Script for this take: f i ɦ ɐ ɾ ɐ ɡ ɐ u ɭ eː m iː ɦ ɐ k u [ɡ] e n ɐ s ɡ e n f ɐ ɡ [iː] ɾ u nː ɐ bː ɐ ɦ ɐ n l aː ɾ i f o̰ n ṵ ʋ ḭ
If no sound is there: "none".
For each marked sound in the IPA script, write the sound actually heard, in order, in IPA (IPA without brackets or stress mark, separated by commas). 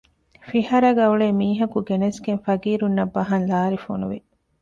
ɡ, iː